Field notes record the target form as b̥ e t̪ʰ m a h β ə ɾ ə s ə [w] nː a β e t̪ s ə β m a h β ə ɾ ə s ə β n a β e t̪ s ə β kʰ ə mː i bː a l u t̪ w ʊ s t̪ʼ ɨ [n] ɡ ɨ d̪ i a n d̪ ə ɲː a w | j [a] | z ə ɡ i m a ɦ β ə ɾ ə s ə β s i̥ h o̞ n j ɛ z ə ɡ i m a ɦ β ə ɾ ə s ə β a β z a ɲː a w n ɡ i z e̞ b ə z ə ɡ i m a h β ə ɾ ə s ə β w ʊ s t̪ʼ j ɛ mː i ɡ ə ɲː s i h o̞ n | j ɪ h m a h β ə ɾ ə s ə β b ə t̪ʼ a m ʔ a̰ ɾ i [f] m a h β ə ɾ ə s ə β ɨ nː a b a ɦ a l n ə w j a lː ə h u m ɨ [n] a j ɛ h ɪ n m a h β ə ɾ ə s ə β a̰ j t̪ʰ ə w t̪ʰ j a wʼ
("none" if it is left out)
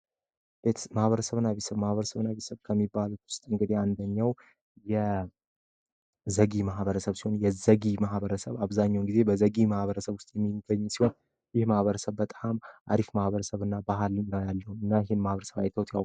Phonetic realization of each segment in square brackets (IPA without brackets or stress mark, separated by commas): β, ŋ, ɛ, f, nː